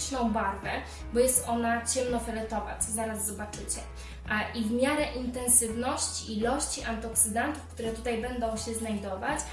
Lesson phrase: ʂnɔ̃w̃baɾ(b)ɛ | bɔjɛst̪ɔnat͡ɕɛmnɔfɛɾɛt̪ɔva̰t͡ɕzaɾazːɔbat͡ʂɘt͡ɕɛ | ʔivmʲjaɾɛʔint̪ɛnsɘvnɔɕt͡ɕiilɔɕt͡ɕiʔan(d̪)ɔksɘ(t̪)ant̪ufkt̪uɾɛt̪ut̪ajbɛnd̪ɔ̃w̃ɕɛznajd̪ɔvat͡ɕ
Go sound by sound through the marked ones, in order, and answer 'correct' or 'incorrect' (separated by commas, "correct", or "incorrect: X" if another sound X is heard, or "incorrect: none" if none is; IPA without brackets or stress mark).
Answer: incorrect: v, incorrect: t̪, incorrect: d̪